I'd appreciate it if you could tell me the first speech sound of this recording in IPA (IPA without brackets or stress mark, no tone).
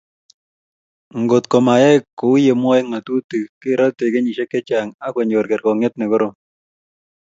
ŋ